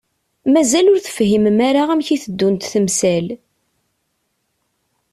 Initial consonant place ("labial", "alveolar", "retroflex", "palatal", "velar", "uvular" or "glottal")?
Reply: labial